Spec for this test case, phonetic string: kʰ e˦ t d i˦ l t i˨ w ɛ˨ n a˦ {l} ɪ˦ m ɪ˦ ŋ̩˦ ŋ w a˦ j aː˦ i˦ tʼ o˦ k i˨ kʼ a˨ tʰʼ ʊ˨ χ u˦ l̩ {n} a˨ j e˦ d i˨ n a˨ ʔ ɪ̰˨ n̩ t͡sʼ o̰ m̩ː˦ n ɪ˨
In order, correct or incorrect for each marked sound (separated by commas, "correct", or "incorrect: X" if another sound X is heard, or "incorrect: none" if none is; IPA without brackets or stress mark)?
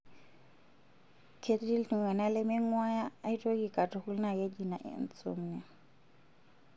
correct, correct